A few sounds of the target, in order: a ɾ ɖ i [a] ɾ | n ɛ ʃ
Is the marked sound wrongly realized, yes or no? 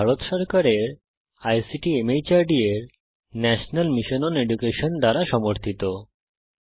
yes